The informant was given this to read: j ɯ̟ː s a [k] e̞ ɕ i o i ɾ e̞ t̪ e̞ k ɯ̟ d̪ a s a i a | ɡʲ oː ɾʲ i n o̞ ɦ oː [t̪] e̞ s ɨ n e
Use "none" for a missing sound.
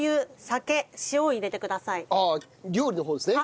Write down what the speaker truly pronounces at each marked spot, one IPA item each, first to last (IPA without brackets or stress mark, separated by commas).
k, d̪